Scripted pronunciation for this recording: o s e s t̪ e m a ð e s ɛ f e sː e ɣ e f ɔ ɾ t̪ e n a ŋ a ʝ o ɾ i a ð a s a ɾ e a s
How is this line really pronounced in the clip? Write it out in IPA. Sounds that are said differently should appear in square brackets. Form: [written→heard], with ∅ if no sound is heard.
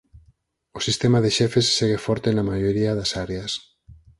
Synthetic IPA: o s [e→i] s t̪ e m a ð e [s→ʃ] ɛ f e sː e ɣ e f ɔ ɾ t̪ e n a [ŋ→m] a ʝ o ɾ i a ð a s a ɾ e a s